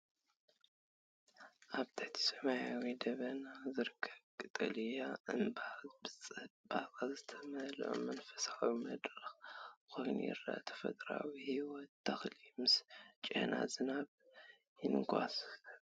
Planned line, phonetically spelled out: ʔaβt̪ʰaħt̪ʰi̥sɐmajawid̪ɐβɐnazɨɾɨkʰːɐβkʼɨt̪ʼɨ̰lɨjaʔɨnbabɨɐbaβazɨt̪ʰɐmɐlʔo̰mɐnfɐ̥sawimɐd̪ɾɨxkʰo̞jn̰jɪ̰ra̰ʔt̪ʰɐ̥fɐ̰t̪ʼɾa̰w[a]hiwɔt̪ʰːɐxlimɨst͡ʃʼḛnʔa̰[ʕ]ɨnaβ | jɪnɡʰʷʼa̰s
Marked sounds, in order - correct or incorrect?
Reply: incorrect, incorrect

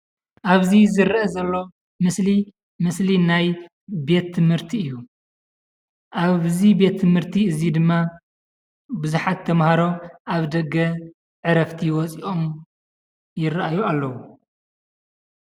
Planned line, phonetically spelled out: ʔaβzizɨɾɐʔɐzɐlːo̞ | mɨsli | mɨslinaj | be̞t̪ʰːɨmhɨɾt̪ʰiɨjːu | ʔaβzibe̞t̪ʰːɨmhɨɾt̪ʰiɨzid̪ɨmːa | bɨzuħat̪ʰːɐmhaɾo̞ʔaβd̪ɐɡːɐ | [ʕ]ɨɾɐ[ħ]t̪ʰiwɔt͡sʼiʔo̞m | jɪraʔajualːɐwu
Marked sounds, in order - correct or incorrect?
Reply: correct, incorrect

